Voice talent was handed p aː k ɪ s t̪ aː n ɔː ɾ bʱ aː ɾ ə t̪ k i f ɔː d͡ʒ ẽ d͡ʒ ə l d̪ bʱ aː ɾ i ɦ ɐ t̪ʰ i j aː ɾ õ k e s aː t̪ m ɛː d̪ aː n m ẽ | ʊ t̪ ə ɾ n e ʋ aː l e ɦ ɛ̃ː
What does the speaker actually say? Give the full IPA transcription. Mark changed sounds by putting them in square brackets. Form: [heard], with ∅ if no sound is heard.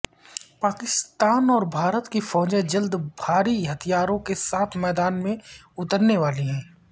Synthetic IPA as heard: p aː k ɪ s t̪ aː n ɔː ɾ bʱ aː ɾ ə t̪ k i f ɔː d͡ʒ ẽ d͡ʒ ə l d̪ bʱ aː ɾ i ɦ ɐ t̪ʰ i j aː ɾ õ k e s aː [t̪ʰ] m ɛː d̪ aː n m ẽ | ʊ t̪ ə ɾ n e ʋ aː l [i] ɦ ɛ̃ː